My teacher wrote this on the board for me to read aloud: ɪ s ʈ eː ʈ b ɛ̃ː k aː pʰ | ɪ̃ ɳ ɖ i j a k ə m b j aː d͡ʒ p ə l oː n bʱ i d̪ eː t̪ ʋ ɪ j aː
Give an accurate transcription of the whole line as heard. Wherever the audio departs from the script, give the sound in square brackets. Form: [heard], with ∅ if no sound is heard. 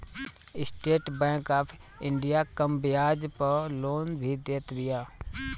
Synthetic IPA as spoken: ɪ s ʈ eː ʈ b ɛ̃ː k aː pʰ | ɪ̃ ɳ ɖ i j a k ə m b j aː d͡ʒ p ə l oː n bʱ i d̪ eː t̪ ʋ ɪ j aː